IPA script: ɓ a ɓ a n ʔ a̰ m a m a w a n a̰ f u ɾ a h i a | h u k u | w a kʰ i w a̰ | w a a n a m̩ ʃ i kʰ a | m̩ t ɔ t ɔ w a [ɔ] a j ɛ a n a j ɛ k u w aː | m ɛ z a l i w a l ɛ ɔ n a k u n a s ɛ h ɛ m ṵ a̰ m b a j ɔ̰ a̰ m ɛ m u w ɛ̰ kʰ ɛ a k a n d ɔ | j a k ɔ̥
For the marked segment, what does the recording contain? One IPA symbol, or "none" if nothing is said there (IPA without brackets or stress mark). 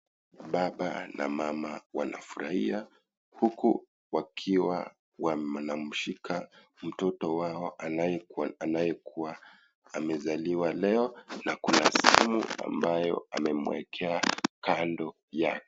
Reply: ɔ